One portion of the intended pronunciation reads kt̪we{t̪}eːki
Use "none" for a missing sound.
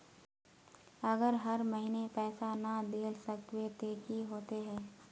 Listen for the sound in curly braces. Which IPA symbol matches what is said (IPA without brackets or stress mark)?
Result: t̪